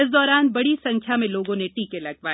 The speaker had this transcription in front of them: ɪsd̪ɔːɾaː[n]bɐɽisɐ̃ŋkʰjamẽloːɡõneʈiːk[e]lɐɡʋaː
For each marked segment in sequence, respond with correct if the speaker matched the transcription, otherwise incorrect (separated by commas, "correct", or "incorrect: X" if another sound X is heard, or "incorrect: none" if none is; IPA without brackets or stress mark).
correct, correct